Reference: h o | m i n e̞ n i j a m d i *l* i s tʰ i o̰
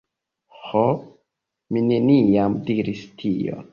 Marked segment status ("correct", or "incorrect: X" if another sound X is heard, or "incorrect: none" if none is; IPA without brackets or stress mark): incorrect: ɾ